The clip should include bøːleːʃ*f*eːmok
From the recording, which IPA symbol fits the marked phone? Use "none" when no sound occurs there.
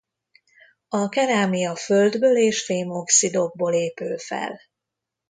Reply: f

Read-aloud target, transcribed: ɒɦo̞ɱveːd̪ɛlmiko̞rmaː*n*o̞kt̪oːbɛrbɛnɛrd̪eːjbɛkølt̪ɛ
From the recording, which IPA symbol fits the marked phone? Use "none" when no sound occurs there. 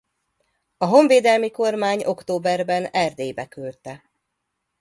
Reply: ɲ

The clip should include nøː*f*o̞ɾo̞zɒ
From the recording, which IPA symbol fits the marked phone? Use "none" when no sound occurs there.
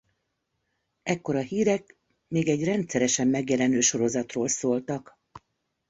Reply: ʃ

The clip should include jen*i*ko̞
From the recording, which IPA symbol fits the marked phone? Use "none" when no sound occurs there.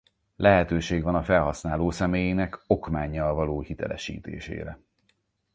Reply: ɛ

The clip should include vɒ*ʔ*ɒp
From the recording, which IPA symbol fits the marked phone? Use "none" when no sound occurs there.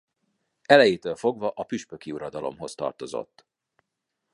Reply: ʔ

